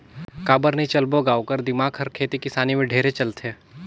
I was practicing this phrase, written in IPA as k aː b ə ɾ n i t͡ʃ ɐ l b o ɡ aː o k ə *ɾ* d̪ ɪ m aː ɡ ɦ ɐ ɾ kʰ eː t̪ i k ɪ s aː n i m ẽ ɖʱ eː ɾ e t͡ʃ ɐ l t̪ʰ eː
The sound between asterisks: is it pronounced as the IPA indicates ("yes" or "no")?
yes